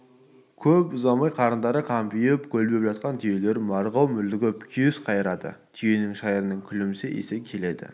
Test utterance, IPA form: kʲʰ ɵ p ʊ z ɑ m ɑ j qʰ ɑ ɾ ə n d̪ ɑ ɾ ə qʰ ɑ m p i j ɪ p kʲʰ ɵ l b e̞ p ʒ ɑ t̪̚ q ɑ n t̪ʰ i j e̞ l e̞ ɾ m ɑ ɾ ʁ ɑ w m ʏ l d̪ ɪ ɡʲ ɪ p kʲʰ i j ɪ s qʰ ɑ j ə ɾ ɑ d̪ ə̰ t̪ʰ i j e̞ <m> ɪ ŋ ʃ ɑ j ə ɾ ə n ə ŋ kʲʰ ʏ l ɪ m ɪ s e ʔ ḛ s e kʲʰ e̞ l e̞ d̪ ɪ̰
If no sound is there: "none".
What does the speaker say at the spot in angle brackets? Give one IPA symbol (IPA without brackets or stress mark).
n